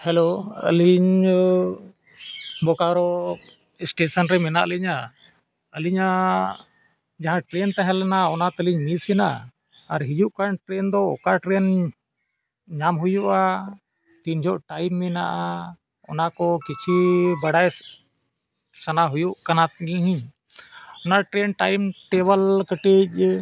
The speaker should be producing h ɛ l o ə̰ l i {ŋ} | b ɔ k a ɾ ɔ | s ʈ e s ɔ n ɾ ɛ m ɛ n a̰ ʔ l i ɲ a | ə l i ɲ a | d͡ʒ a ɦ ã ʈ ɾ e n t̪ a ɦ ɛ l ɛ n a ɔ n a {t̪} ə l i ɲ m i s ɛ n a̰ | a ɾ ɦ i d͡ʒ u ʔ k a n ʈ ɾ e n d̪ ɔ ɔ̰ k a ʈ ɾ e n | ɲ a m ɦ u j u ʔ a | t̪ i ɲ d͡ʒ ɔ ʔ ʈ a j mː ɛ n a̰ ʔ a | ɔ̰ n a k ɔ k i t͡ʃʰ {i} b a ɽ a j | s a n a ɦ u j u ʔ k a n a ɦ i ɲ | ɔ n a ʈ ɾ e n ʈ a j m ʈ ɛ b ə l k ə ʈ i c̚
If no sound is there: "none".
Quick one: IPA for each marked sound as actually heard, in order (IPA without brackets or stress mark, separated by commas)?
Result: ɲ, t̪, i